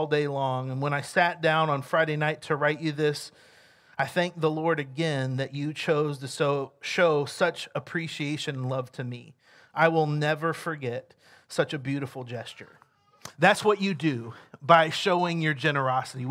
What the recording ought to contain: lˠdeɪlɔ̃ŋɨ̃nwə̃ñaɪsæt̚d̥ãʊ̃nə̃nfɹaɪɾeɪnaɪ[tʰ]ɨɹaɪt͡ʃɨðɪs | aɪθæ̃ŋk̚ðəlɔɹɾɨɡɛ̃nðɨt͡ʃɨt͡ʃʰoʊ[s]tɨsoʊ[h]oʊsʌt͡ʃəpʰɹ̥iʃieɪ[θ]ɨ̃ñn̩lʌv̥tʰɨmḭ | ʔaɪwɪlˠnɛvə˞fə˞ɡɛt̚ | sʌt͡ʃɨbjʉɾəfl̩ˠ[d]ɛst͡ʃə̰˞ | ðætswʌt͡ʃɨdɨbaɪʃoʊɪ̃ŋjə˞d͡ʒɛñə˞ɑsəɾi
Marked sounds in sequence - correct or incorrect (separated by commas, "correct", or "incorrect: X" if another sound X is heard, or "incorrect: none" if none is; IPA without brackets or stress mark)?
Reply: correct, incorrect: z, incorrect: ʃ, incorrect: ʃ, incorrect: d͡ʒ